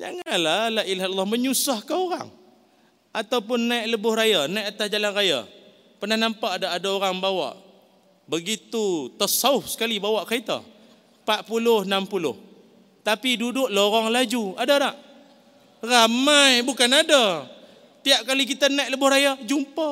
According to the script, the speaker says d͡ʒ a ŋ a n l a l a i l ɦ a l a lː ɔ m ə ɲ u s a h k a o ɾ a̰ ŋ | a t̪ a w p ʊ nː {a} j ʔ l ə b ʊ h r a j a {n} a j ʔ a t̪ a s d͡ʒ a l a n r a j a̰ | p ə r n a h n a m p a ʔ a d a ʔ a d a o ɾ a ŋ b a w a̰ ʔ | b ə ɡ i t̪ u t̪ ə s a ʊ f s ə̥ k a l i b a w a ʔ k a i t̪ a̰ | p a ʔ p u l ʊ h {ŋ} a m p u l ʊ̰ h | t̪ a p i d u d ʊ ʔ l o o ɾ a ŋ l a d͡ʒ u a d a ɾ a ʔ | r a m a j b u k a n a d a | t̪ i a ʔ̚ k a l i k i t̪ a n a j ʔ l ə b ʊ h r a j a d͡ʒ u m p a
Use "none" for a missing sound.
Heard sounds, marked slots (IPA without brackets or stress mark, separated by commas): a, n, n